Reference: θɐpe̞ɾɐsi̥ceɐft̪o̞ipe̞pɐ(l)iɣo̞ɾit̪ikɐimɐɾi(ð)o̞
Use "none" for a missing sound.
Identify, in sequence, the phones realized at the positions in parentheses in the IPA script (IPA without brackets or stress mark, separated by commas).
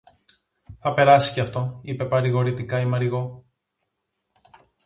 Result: ɾ, ɣ